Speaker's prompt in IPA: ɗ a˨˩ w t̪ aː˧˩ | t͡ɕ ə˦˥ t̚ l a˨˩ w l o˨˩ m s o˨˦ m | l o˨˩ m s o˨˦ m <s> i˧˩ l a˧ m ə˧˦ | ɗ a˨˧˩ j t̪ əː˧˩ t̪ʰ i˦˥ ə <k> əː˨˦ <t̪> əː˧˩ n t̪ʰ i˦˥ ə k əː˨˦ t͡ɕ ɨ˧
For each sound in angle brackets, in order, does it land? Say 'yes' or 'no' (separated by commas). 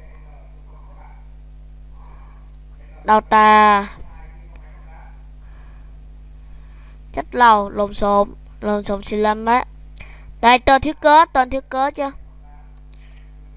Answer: yes, yes, yes